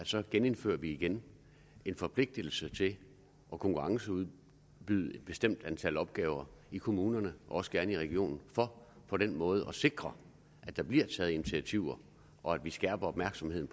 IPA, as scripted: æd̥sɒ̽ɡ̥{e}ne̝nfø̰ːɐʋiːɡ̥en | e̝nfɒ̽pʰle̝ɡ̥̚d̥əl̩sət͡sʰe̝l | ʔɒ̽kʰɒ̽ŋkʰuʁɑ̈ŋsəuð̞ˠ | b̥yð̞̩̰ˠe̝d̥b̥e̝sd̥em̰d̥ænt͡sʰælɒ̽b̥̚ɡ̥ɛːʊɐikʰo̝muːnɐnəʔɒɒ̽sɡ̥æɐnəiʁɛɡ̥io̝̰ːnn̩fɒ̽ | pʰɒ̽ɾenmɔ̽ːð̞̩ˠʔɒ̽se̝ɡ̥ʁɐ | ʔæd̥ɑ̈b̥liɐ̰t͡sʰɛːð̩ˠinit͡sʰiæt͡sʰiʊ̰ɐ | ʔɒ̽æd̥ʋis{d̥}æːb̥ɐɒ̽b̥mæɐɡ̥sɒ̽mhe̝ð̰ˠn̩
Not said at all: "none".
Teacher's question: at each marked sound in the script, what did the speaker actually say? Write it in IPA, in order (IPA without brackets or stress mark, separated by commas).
e, ɡ̥